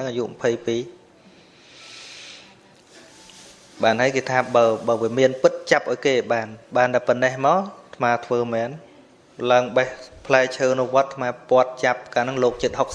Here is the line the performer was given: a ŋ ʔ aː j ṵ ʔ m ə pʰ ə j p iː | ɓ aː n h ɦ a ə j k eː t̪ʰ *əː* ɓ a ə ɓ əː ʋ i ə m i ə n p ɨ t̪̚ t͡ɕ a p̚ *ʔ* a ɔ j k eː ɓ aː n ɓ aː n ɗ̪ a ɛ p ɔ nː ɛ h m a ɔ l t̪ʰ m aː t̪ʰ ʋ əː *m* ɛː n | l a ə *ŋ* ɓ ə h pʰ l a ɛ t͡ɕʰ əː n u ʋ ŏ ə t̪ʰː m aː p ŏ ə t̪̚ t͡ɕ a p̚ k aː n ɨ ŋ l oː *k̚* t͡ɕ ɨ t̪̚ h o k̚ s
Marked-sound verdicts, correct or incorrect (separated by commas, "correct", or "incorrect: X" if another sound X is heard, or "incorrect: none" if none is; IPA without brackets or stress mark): incorrect: aː, correct, correct, correct, correct